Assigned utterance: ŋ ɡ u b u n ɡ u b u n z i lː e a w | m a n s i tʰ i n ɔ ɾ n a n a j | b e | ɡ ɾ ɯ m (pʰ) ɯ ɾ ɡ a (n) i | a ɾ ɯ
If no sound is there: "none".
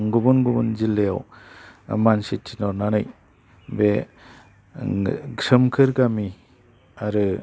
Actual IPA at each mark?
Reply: kʰ, m

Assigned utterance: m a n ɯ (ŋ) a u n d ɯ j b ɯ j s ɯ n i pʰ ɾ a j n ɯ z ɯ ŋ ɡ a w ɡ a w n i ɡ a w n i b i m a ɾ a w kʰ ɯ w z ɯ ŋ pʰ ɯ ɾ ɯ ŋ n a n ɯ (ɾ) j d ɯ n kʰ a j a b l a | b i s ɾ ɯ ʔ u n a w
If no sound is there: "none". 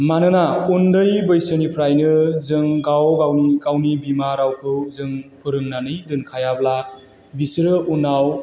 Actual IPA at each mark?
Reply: n, none

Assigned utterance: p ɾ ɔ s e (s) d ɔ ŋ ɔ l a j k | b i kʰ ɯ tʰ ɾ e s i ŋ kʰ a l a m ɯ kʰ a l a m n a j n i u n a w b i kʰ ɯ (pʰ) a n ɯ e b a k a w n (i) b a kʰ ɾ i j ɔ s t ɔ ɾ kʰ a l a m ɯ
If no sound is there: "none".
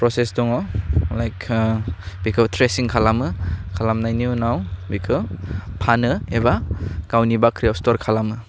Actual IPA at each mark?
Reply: s, pʰ, i

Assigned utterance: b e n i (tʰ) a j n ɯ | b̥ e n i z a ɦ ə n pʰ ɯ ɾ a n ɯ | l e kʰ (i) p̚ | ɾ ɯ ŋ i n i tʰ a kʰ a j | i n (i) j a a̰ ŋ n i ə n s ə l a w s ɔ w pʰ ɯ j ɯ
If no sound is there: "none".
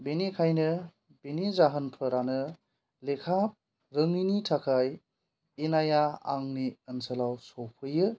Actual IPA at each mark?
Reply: kʰ, a, a

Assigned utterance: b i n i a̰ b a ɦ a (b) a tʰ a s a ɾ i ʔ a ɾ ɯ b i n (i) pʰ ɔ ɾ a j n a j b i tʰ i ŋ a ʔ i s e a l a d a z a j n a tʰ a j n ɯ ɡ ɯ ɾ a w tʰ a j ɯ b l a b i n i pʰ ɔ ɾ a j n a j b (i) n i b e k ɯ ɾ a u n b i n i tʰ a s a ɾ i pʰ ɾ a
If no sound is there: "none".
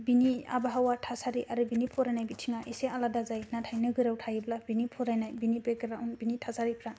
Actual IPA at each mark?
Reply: w, i, i

